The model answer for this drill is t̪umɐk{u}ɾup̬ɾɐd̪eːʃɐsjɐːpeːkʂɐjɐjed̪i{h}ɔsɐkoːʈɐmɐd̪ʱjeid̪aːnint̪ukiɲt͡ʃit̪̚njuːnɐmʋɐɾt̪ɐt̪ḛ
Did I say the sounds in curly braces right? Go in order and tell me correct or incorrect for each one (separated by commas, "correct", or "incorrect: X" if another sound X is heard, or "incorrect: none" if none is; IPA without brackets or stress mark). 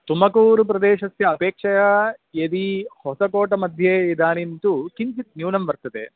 incorrect: uː, correct